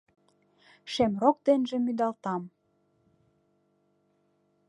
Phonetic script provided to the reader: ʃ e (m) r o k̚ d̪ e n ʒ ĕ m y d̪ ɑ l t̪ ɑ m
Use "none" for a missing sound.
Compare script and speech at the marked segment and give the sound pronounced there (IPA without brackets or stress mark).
m